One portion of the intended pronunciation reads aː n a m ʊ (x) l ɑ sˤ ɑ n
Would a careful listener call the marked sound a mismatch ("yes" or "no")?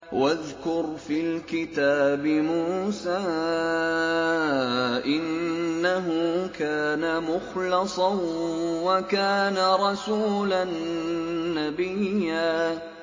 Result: no